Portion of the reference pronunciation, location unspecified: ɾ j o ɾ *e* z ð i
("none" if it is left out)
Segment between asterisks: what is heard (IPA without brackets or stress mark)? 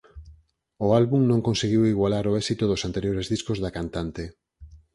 e